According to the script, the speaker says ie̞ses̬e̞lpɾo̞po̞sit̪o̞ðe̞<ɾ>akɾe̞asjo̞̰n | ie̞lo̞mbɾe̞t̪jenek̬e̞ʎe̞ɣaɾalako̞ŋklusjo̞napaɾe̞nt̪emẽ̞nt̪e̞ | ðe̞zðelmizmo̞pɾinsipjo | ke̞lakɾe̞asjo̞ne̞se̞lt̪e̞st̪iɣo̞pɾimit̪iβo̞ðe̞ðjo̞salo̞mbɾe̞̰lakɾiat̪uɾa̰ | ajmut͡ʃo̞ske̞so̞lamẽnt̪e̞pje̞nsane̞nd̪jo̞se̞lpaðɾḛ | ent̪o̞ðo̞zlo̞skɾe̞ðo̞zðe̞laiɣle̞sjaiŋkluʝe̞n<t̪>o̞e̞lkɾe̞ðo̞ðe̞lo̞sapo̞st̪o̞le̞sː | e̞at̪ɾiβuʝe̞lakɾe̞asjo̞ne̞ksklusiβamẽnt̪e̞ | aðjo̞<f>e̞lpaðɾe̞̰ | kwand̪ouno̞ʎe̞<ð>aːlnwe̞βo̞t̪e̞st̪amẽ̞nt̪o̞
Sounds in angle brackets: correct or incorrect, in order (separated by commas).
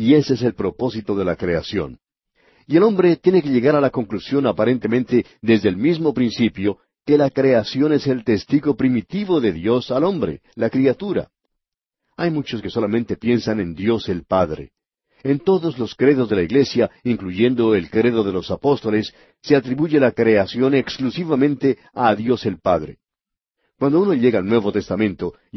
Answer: incorrect, incorrect, incorrect, incorrect